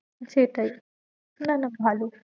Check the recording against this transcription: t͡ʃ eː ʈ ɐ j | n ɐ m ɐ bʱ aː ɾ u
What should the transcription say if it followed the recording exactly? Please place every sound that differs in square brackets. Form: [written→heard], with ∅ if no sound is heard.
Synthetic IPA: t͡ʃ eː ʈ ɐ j | n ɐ [m→n] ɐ bʱ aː [ɾ→l] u